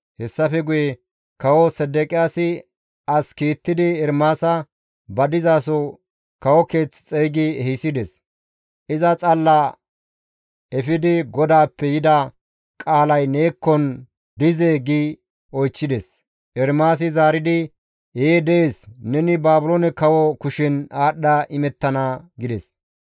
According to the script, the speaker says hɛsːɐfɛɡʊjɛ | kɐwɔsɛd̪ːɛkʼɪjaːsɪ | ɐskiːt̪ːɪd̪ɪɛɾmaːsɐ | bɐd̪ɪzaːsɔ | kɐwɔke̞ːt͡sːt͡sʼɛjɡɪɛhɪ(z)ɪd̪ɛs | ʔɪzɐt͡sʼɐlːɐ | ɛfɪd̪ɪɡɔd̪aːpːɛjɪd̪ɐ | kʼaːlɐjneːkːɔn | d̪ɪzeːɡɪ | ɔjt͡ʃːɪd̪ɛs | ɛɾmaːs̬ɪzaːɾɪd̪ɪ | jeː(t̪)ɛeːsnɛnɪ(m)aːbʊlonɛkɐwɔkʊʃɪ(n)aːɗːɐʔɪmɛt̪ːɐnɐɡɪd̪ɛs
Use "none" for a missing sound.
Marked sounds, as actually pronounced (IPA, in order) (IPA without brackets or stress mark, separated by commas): s, d̪, b, n